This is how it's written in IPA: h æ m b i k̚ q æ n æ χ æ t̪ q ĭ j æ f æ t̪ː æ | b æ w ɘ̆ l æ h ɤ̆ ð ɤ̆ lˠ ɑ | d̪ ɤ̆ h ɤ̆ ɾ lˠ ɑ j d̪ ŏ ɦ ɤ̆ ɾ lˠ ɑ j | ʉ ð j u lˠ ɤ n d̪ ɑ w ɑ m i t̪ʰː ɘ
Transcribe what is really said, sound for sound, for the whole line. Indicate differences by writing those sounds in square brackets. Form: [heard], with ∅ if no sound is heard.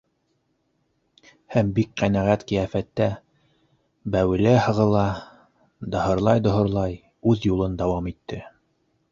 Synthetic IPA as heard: h æ m b i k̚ q æ n æ [ʁ] æ t̪ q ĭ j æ f æ t̪ː æ | b æ w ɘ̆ l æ h ɤ̆ [ʁ] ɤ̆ lˠ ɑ | d̪ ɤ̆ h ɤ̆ ɾ lˠ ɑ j d̪ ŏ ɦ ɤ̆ ɾ lˠ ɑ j | ʉ ð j u lˠ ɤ n d̪ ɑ w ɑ m i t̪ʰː ɘ

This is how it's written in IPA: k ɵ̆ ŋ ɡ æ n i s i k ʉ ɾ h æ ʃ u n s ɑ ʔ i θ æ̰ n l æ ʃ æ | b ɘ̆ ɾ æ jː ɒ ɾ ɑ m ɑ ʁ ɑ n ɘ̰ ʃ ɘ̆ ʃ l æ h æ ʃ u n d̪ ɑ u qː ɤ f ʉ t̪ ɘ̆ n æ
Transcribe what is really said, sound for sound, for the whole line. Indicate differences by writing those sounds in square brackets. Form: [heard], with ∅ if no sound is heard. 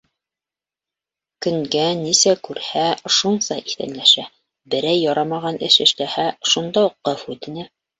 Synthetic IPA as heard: k ɵ̆ ŋ ɡ æ n i s [æ] k ʉ ɾ h æ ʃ u n s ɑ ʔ i θ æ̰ n l æ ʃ æ | b ɘ̆ ɾ æ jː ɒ ɾ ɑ m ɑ ʁ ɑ n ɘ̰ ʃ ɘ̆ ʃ l æ h æ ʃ u n d̪ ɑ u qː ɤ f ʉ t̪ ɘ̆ n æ

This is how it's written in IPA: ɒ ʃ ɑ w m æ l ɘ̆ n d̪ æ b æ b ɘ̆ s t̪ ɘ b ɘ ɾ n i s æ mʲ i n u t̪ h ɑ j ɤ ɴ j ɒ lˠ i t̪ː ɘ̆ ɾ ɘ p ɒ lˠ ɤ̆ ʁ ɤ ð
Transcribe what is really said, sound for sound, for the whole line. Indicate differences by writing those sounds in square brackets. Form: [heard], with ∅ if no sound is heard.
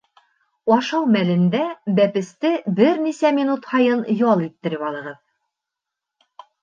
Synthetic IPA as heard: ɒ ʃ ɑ w m æ l ɘ̆ n d̪ æ b æ [p] ɘ̆ s t̪ ɘ b ɘ ɾ n i s æ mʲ i n u t̪ h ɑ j ɤ [n] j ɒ lˠ i t̪ː ɘ̆ ɾ ɘ p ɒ lˠ ɤ̆ ʁ ɤ ð

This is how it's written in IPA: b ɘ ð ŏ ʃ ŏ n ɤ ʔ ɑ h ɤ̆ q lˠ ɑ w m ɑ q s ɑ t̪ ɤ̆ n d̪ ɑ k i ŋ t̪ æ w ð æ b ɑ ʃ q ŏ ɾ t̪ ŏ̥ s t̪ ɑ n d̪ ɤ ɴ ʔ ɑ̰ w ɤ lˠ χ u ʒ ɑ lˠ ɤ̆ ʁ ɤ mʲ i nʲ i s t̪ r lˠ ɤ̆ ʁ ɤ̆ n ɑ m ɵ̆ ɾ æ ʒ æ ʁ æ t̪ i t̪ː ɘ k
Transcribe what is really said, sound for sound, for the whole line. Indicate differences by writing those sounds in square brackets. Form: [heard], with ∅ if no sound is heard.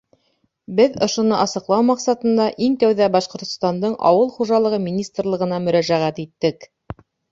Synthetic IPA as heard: b ɘ ð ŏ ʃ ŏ n ɤ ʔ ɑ [s] ɤ̆ q lˠ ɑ w m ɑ q s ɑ t̪ ɤ̆ n d̪ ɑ [ʔ] i ŋ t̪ æ w ð æ b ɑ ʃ q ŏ ɾ t̪ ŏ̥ s t̪ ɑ n d̪ ɤ ɴ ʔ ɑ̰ w ɤ lˠ χ u ʒ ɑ lˠ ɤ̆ ʁ ɤ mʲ i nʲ i s t̪ r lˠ ɤ̆ ʁ ɤ̆ n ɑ m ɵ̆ ɾ æ ʒ æ ʁ æ t̪ i t̪ː ɘ k

